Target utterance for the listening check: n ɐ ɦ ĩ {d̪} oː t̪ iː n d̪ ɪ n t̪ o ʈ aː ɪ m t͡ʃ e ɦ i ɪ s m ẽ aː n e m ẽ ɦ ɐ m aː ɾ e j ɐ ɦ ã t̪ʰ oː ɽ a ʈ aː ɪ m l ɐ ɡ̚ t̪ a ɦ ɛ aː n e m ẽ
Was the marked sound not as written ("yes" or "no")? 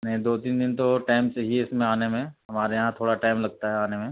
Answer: no